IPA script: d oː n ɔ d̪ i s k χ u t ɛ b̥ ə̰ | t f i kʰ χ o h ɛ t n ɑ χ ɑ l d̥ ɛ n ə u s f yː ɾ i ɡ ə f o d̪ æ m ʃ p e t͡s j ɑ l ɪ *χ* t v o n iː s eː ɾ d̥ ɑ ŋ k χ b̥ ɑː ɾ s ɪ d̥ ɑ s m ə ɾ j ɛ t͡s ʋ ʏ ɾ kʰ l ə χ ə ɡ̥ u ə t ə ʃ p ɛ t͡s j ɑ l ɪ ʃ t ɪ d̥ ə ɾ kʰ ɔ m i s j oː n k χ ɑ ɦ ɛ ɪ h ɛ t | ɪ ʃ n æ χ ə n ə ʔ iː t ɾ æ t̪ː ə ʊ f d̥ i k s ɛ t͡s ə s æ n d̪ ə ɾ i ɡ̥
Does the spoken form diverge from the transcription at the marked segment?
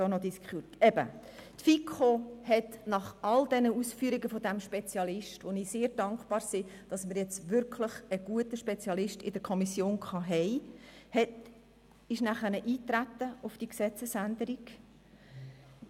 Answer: yes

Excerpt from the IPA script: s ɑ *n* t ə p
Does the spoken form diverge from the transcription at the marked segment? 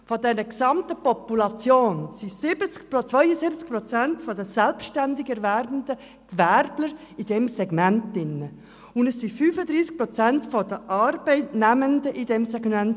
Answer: yes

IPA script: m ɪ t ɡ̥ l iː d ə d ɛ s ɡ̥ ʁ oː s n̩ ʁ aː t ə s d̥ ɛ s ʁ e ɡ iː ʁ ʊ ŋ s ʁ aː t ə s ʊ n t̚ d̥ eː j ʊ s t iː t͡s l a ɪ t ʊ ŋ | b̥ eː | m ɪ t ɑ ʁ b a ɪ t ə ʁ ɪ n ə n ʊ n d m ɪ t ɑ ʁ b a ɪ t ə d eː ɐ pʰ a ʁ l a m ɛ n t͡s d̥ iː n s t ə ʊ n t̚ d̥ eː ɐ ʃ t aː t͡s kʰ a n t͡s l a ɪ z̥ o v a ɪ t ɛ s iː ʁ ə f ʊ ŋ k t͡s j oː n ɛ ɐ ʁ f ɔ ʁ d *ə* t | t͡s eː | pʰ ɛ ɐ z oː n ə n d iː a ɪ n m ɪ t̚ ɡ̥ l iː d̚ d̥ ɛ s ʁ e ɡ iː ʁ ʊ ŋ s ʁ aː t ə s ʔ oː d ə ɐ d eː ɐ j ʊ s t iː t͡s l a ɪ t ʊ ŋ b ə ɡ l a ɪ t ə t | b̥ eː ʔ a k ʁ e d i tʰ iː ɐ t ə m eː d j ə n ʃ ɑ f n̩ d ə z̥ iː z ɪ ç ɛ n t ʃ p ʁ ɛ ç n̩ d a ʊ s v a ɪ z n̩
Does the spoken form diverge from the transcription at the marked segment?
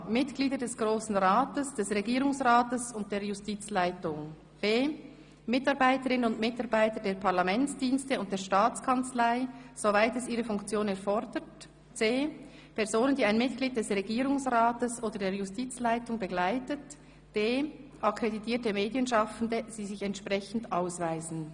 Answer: no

